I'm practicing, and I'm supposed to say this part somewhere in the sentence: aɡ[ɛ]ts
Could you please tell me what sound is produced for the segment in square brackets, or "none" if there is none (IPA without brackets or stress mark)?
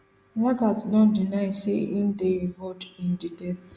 a